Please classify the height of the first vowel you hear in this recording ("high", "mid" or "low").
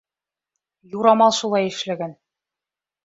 high